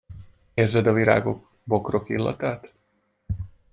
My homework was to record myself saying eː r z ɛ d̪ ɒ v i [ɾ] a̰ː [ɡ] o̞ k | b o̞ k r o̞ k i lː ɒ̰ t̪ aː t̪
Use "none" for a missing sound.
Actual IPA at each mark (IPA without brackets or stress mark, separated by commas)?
ɾ, ɡ